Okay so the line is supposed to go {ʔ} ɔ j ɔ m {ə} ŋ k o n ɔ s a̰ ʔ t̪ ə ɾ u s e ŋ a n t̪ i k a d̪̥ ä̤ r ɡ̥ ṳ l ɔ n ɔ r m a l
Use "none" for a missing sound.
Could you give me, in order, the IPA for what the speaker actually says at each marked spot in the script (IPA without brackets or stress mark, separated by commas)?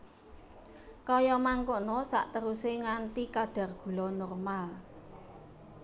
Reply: k, a